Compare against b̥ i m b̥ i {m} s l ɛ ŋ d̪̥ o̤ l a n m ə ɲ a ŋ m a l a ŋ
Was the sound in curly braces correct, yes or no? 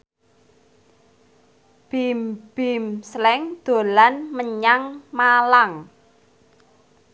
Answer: yes